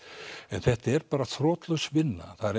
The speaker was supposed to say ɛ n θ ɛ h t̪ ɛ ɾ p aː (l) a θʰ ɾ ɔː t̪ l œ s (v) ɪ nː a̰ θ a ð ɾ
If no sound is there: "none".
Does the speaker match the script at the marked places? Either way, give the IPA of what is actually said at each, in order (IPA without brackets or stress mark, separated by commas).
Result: ɾ, v